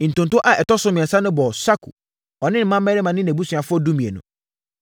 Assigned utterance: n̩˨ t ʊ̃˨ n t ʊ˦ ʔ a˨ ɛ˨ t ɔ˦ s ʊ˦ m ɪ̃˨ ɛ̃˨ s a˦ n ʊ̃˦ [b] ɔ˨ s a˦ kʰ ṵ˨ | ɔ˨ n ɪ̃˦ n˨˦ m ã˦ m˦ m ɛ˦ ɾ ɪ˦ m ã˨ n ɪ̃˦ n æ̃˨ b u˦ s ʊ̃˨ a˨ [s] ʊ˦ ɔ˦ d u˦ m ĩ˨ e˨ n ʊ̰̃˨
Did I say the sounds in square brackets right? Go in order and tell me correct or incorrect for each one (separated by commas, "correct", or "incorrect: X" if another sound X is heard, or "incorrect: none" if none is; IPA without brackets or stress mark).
correct, incorrect: f